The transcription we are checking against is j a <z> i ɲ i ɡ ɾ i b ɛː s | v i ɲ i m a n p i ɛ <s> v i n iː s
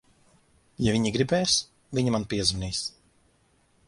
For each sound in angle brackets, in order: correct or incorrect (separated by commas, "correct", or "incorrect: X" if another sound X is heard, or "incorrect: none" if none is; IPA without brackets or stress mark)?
incorrect: v, incorrect: z